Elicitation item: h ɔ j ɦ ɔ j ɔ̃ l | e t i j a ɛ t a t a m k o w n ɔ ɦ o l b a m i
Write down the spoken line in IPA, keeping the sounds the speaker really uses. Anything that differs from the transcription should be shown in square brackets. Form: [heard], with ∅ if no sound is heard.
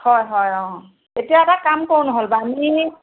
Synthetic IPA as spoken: h ɔ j ɦ ɔ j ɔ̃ [∅] | e t i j a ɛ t a [k] a m k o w n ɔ ɦ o l b a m i